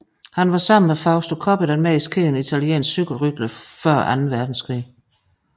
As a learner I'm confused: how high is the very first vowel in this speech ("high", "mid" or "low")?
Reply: low